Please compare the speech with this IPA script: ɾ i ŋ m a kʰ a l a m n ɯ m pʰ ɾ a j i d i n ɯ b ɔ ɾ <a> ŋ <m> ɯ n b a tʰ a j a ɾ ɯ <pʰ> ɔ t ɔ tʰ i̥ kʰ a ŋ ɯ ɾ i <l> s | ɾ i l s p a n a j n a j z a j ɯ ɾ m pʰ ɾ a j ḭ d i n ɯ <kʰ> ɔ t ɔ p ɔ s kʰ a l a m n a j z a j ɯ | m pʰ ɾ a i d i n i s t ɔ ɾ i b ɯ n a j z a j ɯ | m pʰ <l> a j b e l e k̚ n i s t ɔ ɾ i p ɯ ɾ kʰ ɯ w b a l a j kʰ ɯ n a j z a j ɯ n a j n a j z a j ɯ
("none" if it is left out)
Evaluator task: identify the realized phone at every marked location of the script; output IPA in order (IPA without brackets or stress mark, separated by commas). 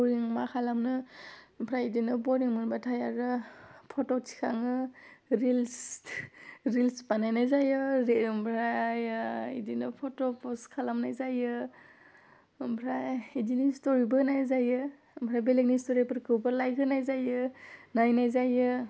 i, m, pʰ, l, pʰ, ɾ